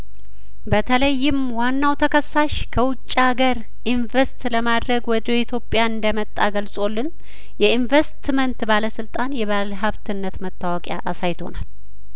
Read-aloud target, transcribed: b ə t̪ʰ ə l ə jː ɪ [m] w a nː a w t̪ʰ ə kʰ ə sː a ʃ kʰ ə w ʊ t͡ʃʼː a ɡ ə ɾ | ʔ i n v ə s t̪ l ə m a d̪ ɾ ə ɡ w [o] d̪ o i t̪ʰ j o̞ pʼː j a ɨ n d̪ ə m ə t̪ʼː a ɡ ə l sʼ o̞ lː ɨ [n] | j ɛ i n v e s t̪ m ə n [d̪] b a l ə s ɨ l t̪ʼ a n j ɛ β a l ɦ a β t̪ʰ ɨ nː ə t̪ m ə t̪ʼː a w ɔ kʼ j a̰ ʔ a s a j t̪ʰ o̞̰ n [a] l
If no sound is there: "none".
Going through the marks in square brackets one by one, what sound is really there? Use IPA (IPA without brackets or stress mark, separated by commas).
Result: m, ɔ, n, t̪, a